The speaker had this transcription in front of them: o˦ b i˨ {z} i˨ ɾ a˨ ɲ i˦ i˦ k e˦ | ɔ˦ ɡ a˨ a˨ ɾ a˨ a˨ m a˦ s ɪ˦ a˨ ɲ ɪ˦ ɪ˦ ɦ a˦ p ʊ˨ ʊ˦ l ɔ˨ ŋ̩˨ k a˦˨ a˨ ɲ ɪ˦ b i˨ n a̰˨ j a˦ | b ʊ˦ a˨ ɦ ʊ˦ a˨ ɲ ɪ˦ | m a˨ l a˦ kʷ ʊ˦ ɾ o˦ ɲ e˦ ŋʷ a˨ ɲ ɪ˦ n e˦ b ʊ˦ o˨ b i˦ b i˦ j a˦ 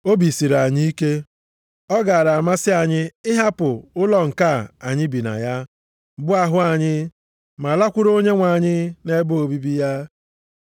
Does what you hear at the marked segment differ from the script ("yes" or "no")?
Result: yes